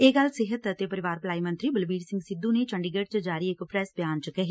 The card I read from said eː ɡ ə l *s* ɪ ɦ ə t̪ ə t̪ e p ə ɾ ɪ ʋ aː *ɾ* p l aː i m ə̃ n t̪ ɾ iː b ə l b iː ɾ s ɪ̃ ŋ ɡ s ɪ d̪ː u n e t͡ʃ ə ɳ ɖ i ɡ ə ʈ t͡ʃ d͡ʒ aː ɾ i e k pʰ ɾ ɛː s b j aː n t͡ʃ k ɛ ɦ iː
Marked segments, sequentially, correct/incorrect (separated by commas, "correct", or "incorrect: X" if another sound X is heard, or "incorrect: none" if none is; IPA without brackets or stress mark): correct, correct